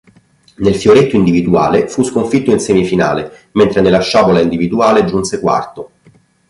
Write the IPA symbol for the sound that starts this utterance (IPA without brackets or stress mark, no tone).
n